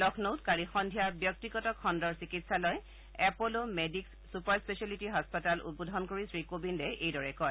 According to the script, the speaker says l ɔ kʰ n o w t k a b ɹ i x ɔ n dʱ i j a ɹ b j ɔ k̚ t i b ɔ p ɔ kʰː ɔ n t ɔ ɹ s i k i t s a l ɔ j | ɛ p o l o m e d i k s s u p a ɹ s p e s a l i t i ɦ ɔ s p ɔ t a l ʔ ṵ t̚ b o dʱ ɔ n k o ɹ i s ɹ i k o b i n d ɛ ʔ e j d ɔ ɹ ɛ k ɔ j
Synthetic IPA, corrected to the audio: l ɔ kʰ n o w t k a ɹ i x ɔ n dʱ i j a ɹ b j ɔ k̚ t i ɡ ɔ t ɔ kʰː ɔ n d ɔ ɹ s i k i t s a l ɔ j | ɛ p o l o m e d i k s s u p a ɹ s p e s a l i t i ɦ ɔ s p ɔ t a l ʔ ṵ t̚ b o dʱ ɔ n k o ɹ i s ɹ i k o b i n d ɛ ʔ e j d ɔ ɹ ɛ k ɔ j